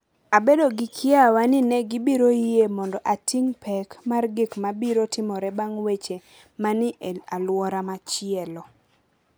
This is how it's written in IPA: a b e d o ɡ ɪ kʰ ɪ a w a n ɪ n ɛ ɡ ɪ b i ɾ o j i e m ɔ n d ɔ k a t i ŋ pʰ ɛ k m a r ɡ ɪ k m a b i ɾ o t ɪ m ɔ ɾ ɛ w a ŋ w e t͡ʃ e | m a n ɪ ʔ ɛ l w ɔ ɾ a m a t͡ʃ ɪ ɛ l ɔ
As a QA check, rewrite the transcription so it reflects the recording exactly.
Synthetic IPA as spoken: a b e d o ɡ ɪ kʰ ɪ a w a n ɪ n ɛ ɡ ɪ b i ɾ o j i e m ɔ n d ɔ ʔ a t i ŋ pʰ ɛ k m a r ɡ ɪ k m a b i ɾ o t ɪ m ɔ ɾ ɛ b a ŋ w e t͡ʃ e | m a n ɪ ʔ a l w ɔ ɾ a m a t͡ʃ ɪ ɛ l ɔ